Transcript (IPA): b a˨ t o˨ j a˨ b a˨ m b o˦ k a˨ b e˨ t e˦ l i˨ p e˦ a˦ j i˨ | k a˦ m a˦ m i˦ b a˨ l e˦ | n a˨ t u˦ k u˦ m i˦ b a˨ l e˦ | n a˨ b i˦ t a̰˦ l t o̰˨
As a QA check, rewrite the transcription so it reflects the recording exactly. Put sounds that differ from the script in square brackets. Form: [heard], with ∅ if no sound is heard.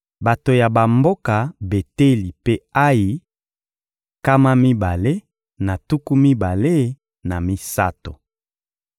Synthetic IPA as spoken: b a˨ t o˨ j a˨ b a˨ m b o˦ k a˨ b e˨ t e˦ l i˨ p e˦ a˦ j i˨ | k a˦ m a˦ m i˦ b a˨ l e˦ | n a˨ t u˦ k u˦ m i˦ b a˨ l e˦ | n a˨ [m] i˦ [s] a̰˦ [∅] t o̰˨